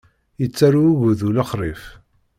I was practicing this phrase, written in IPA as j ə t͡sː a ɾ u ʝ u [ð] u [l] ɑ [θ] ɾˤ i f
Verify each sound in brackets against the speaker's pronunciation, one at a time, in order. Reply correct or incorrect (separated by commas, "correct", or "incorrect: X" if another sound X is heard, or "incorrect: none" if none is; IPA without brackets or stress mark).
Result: correct, correct, incorrect: χ